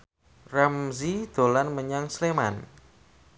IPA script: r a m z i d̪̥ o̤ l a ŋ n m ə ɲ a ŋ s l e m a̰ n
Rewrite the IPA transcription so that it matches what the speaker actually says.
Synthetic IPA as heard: r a m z i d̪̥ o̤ l a n m ə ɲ a ŋ s l e m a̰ n

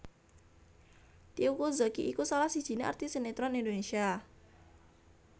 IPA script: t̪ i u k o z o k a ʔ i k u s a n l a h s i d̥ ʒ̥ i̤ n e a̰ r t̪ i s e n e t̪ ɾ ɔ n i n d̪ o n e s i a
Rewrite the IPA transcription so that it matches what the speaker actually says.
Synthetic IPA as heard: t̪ i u k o z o k i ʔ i k u s a l a h s i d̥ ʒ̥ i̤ n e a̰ r t̪ i s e n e t̪ ɾ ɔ n i n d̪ o n e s i a

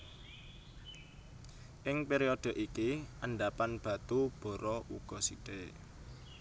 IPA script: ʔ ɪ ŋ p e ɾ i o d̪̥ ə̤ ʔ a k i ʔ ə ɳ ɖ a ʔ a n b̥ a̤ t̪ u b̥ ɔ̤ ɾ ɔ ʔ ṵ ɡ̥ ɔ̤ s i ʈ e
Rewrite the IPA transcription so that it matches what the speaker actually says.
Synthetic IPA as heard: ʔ ɪ ŋ p e ɾ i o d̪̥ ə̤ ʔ i k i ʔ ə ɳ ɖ a p a n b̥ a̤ t̪ u b̥ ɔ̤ ɾ ɔ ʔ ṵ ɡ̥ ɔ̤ s i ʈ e

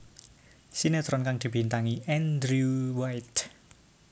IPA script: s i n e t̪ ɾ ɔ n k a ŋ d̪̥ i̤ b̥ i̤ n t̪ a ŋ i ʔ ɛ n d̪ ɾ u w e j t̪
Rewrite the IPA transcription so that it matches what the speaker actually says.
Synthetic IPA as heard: s i n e t̪ ɾ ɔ n k a ŋ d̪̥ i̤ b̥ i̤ n t̪ a ŋ i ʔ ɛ n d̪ ɾ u w a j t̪

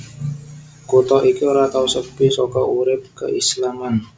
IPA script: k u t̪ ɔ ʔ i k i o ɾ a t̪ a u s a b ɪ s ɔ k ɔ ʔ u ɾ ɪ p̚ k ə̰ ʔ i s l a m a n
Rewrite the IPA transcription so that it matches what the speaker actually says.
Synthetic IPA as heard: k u t̪ ɔ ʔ i k i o ɾ a t̪ a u s ə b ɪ s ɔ k ɔ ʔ u ɾ ɪ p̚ k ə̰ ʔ i s l a m a n

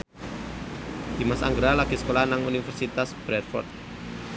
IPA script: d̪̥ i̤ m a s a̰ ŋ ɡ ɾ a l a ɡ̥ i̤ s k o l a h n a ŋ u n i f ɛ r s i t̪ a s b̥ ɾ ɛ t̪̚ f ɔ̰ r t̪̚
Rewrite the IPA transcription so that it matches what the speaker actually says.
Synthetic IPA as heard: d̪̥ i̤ m a s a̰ ŋ ɡ ɾ a l a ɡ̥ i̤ s k o l a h n a ŋ u n i f ɛ r s i t̪ a s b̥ ɾ ɛ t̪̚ f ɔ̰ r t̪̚

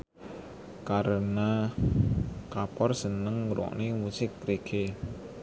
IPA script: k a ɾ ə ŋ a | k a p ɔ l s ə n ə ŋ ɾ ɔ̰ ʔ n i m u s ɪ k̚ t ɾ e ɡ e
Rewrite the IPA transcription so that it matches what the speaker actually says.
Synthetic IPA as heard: k a ɾ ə n a | k a p ɔ r s ə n ə ŋ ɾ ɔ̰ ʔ n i m u s ɪ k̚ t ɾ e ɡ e

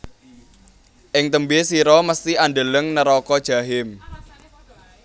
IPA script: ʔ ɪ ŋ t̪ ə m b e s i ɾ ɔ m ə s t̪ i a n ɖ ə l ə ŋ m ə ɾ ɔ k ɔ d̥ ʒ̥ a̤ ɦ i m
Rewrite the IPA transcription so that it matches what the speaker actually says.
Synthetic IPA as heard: ʔ ɪ ŋ t̪ ə m b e s i ɾ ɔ m ə s t̪ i a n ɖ ə l ə ŋ n ə ɾ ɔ k ɔ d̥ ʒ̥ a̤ ɦ ɪ m

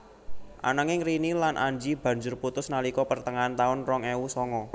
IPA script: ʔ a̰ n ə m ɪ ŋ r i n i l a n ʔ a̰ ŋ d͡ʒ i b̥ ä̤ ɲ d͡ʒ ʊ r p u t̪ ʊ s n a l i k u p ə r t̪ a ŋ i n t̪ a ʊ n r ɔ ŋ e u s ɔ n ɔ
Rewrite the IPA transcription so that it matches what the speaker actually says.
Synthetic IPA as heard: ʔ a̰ n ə ŋ ɪ ŋ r i n i l a n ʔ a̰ ɲ d͡ʒ i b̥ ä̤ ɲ d͡ʒ ʊ r p u t̪ ʊ s n a l i k ɔ p ə r t̪ ə ŋ a n t̪ a ʊ n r ɔ ŋ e u s ɔ ŋ ɔ

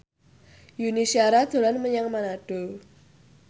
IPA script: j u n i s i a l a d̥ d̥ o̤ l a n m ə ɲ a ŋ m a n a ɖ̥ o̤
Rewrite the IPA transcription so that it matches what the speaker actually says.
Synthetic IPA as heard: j u n i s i a ɾ a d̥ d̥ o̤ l a n m ə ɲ a ŋ m a n a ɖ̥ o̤

